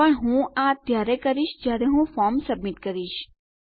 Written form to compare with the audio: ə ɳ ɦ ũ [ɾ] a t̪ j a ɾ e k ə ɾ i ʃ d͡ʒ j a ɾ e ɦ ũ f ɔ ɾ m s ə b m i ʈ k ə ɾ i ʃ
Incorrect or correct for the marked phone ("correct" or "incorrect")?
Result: incorrect